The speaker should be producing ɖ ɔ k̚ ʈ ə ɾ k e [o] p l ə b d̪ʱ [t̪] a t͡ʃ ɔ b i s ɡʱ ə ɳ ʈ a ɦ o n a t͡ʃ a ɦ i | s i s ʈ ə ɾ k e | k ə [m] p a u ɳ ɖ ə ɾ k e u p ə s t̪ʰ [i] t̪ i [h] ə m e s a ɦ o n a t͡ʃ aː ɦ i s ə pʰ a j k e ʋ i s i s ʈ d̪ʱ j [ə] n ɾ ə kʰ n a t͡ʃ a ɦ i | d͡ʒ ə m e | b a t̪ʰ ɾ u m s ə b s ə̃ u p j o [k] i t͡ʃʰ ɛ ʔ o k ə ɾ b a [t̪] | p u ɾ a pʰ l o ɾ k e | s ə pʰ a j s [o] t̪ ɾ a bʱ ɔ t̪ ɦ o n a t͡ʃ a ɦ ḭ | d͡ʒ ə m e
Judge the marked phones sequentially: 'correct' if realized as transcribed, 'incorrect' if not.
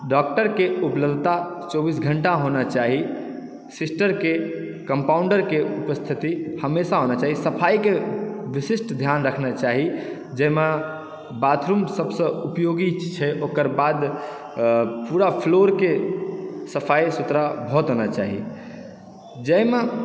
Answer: incorrect: u, correct, correct, correct, correct, incorrect: a, incorrect: ɡ, incorrect: d̪, incorrect: u

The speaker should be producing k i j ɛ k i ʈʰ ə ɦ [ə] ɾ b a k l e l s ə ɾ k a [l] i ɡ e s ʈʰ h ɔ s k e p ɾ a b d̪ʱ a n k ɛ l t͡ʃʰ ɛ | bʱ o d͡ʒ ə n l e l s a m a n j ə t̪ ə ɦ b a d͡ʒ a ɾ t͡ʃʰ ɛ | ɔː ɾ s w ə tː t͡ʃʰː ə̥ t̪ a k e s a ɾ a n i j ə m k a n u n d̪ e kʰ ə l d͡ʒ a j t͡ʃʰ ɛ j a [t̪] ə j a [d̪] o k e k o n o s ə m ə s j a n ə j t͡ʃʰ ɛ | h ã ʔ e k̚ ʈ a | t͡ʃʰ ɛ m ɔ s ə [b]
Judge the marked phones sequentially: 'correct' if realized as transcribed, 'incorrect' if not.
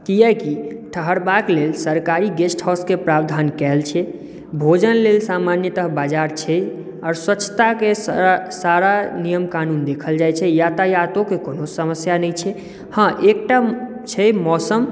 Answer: correct, incorrect: ɾ, correct, incorrect: t̪, incorrect: m

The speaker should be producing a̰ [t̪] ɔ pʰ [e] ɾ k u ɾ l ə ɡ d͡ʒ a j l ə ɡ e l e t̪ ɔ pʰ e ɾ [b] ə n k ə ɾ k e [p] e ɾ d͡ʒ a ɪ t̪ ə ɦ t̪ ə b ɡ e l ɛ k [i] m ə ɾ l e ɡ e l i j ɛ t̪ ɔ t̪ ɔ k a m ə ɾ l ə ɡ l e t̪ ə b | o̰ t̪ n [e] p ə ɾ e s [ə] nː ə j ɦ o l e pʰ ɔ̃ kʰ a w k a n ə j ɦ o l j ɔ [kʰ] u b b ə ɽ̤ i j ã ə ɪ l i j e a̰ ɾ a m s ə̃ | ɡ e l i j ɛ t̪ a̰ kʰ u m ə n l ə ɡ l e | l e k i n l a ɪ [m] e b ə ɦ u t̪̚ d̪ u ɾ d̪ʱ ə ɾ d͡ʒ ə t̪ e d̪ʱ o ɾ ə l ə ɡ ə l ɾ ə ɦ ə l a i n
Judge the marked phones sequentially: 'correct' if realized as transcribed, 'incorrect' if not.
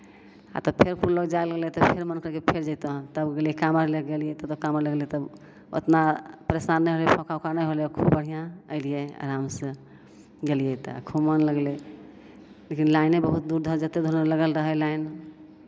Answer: correct, correct, incorrect: m, incorrect: pʰ, incorrect: a, incorrect: a, incorrect: a, correct, incorrect: n

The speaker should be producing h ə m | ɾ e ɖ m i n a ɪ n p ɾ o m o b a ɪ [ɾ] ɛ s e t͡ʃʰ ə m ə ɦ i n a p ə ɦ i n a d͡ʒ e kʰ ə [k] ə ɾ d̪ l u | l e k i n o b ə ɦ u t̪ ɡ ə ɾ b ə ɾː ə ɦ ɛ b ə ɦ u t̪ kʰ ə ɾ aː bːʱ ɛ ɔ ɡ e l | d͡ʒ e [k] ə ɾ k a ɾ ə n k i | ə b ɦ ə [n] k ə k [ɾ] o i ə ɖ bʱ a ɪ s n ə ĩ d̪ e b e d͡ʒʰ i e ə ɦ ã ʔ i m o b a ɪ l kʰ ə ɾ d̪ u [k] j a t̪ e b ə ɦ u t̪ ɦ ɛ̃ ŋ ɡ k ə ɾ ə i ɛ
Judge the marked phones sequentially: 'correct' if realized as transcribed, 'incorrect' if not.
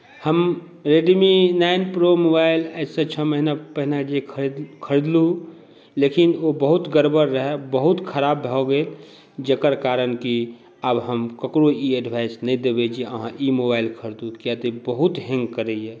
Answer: incorrect: l, incorrect: kʰ, correct, incorrect: m, correct, correct

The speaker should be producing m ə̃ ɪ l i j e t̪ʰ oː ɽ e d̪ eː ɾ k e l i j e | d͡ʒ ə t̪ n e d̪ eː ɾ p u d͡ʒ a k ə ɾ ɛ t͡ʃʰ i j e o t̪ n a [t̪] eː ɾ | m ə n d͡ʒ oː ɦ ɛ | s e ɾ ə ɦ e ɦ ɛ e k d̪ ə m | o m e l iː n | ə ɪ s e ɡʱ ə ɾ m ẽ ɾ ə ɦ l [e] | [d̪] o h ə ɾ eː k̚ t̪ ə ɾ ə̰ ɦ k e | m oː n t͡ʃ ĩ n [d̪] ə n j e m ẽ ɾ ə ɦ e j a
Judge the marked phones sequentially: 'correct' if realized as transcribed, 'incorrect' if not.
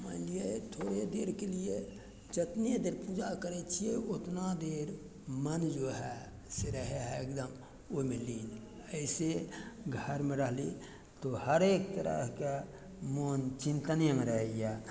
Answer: incorrect: d̪, incorrect: i, incorrect: t̪, incorrect: t̪

